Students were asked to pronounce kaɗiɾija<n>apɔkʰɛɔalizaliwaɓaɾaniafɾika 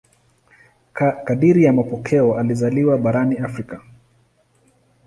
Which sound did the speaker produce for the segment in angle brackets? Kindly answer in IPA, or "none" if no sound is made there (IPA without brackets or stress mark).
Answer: m